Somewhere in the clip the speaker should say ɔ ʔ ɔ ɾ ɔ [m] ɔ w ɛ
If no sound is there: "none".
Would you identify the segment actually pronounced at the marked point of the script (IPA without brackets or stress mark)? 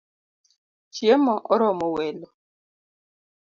m